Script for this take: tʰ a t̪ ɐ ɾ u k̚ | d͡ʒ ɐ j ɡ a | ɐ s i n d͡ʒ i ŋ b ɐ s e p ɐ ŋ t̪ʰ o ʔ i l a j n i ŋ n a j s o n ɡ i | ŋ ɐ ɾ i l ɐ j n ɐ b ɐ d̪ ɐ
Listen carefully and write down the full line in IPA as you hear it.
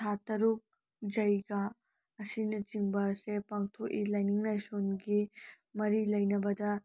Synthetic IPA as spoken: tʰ a t̪ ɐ ɾ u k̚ | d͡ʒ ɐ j ɡ a | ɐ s i n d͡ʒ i ŋ b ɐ s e p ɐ ŋ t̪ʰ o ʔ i l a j n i ŋ n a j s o n ɡ i | m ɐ ɾ i l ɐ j n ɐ b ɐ d̪ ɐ